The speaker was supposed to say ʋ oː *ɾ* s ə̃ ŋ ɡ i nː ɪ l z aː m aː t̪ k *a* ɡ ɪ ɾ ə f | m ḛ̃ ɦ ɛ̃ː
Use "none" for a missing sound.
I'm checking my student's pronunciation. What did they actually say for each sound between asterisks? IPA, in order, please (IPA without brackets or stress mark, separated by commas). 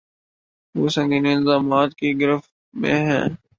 none, i